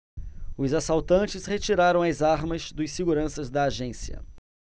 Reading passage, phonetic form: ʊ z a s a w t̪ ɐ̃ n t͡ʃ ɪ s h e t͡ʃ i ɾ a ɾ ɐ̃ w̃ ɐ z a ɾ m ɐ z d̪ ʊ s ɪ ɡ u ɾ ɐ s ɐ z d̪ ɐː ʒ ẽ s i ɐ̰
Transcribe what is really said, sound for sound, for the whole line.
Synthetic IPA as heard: ʊ z a s a w t̪ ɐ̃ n t͡ʃ ɪ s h e t͡ʃ i ɾ a ɾ ɐ̃ w̃ ɐ z a ɾ m ɐ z d̪ ʊ s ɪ ɡ u ɾ ɐ̃ s ɐ z d̪ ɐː ʒ ẽ s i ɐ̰